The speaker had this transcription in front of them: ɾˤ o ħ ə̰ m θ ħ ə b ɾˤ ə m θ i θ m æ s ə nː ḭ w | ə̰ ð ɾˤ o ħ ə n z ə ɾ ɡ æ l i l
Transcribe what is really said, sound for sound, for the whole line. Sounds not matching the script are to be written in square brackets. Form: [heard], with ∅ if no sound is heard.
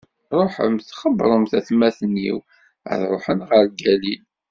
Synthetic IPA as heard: ɾˤ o ħ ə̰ m θ [χ] ə b ɾˤ ə m θ [æ] θ m æ [θ] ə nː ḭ w | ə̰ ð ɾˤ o ħ ə n [ʁ] ə ɾ ɡ æ l i l